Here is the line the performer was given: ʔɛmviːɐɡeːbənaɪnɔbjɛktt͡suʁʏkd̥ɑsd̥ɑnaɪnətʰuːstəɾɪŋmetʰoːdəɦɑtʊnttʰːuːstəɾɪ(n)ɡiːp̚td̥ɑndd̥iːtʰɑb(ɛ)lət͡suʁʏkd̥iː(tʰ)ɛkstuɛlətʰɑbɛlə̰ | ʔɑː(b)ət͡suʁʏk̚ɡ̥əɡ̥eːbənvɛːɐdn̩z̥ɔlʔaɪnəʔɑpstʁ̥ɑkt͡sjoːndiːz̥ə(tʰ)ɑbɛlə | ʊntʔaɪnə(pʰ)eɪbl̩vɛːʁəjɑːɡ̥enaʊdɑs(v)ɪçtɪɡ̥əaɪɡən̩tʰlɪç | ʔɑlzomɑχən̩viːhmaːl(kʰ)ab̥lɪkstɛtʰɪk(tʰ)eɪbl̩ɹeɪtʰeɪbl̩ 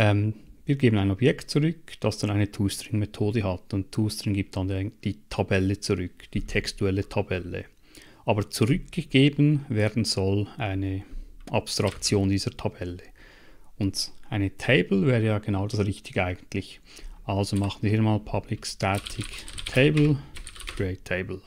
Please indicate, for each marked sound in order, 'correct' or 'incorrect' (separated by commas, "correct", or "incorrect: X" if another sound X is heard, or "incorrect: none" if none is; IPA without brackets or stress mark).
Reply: incorrect: ŋ, correct, correct, correct, correct, incorrect: tʰ, incorrect: ʁ, incorrect: pʰ, correct